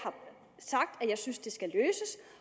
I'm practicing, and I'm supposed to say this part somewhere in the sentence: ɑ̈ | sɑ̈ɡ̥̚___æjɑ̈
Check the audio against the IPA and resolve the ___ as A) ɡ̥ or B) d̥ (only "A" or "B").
B